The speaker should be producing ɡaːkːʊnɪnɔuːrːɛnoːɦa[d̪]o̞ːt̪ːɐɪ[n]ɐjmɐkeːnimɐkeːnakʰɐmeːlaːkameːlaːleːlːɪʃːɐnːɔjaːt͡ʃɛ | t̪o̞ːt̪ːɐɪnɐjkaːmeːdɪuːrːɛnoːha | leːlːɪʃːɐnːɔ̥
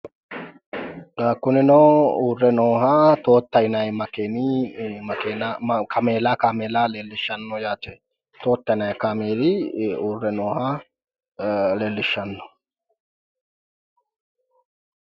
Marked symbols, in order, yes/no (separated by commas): no, yes